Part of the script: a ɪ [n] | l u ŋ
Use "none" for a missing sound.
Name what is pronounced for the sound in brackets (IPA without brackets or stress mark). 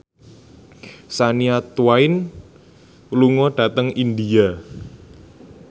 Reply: n